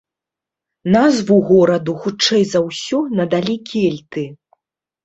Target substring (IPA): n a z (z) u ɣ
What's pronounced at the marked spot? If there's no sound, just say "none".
v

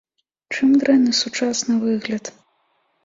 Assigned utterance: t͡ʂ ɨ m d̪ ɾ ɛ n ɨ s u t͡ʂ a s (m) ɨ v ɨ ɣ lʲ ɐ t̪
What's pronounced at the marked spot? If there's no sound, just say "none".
n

